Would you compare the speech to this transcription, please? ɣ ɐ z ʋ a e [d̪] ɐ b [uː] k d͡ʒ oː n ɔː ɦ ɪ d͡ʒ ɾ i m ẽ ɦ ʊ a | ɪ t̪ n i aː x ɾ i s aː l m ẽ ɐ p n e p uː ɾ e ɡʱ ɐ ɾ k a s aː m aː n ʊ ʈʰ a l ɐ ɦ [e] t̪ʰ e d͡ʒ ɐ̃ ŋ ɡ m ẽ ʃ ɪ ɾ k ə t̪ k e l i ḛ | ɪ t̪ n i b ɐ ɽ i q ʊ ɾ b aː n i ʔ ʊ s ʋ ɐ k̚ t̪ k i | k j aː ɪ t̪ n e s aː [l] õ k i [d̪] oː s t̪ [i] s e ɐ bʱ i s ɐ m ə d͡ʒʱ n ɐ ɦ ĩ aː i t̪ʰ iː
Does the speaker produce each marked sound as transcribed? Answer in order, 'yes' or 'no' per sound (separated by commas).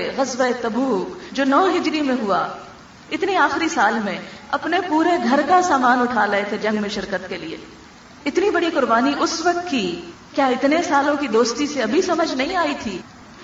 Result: no, yes, yes, yes, yes, yes